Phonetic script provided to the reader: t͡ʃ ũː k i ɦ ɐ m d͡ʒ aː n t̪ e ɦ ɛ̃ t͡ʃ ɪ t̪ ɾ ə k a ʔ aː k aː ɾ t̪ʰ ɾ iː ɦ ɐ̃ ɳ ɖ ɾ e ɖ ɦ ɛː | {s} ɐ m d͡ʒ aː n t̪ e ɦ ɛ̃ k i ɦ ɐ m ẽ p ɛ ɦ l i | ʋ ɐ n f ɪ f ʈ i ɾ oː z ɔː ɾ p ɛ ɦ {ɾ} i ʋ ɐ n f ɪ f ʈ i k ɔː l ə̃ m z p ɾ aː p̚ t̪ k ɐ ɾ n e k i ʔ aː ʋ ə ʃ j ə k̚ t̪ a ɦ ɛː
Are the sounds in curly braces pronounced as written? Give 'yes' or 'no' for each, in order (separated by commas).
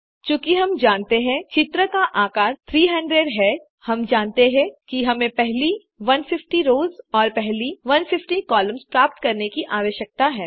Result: no, no